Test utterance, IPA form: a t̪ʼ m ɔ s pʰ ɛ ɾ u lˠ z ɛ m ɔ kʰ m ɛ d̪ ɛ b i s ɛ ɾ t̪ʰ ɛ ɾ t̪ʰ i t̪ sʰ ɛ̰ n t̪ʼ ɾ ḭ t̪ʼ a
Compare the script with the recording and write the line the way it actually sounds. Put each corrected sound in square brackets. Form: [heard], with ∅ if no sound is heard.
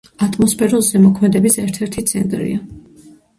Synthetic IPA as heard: a t̪ʼ m ɔ s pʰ ɛ ɾ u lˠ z ɛ m ɔ kʰ m ɛ d̪ ɛ b i s ɛ ɾ t̪ʰ ɛ ɾ t̪ʰ i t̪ sʰ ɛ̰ n t̪ʼ ɾ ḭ [∅] a